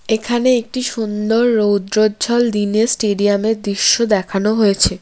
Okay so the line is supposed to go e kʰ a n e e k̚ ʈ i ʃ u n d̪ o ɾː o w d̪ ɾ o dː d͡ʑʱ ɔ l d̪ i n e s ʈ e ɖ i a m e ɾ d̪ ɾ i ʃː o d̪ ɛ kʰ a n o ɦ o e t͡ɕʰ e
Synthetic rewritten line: e kʰ a n e e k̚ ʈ i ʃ u n d̪ o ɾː o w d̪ ɾ o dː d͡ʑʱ ɔ l d̪ i n e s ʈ e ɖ i a m e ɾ d̪ ɾ i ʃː o d̪ ɛ kʰ a n o ɦ o e t͡ɕʰ e